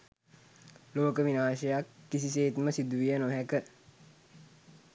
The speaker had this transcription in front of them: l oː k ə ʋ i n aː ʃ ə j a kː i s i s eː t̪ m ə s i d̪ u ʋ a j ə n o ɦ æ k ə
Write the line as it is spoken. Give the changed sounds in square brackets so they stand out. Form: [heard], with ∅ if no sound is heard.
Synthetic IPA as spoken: l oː k ə ʋ i n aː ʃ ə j a kː i s i s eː t̪ m ə s i d̪ u ʋ [i] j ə n o ɦ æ k ə

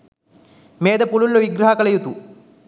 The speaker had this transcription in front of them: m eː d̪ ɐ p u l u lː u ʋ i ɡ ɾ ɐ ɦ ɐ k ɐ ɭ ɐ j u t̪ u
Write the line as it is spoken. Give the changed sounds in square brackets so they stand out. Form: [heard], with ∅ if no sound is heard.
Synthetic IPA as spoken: m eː d̪ ɐ p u l u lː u ʋ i ɡ ɾ ɐ ɦ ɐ k ɐ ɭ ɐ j u t̪ u

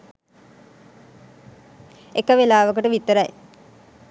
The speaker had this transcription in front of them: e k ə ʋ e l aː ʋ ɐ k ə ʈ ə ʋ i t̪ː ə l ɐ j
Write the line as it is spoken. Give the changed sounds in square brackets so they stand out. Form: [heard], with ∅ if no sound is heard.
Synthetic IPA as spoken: e k ə ʋ e l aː ʋ [ə] k ə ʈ ə ʋ i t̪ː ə [ɾ] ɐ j

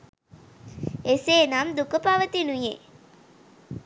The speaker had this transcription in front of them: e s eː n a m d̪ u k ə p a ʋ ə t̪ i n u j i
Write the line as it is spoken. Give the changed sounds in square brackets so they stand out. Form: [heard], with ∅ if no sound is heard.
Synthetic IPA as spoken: e s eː n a m d̪ u k ə p a ʋ ə t̪ i n u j [e]

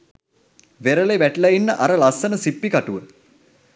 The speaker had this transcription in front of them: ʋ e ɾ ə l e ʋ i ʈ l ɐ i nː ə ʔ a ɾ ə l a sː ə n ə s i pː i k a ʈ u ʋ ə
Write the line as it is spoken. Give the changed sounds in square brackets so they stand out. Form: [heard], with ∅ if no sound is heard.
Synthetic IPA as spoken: ʋ e ɾ ə l e ʋ [æ] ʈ l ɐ i nː ə ʔ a ɾ ə l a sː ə n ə s i pː i k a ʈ u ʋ ə

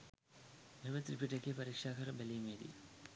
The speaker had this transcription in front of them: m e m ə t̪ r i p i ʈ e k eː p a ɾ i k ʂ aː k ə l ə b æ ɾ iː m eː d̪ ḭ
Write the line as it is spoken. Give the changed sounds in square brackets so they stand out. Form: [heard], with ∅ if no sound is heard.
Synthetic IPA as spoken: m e m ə t̪ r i p i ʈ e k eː p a ɾ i k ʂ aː k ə [ɾ] ə b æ [l] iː m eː d̪ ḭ

